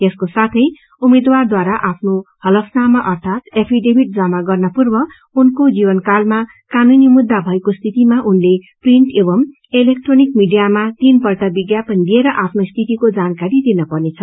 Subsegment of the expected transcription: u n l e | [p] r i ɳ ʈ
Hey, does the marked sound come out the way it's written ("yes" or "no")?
yes